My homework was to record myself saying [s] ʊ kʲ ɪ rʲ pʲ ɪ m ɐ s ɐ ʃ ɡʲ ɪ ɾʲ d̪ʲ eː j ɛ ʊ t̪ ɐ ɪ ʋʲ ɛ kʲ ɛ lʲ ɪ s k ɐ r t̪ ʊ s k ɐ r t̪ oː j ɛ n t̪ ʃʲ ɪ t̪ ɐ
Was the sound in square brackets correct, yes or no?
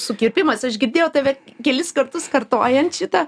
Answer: yes